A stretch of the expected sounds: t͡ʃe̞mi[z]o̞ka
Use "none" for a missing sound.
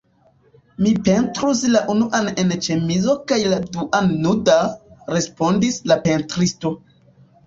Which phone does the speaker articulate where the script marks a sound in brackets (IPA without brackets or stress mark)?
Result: z